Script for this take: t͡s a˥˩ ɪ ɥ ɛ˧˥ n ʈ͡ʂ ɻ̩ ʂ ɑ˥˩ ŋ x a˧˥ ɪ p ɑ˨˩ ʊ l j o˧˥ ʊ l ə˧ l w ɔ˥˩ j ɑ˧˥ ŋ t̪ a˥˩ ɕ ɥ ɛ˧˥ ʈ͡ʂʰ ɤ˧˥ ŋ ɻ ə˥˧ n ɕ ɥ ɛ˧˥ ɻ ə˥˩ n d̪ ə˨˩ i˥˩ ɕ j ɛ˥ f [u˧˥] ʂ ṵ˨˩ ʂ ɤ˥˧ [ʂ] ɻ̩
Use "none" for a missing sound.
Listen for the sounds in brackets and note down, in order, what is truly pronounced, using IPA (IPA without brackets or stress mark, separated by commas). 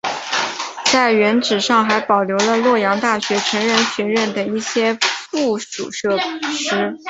u˥˩, ʂ